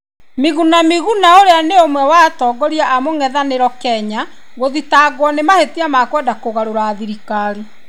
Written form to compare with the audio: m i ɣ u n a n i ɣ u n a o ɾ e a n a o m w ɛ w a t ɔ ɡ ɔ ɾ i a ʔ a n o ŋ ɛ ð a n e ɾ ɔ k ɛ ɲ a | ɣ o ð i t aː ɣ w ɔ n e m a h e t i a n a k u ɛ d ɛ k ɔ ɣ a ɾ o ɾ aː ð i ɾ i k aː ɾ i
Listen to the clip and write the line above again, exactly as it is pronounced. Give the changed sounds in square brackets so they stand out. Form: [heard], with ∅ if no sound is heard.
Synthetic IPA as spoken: m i ɣ u n a [m] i ɣ u n a o ɾ e a n [e] o m w ɛ w a t ɔ ɡ ɔ ɾ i a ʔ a [m] o ŋ ɛ ð a n e ɾ ɔ k ɛ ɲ a | ɣ o ð i t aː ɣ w ɔ n e m a h e t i a [m] a k [w] ɛ d [a] k [o] ɣ a ɾ o ɾ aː ð i ɾ i k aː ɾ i